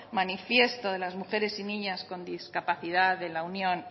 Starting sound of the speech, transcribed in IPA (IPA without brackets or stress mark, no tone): m